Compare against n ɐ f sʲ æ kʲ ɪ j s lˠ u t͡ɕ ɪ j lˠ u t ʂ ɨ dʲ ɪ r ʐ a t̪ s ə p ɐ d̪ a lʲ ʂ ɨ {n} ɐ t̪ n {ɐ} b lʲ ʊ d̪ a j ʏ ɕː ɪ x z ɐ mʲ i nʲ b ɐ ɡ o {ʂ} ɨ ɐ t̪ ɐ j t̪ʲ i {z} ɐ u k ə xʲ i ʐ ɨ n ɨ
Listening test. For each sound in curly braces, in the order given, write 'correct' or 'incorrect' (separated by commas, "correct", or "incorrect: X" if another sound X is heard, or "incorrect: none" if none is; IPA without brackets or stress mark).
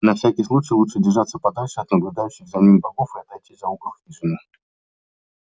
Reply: incorrect: none, incorrect: ə, incorrect: f, correct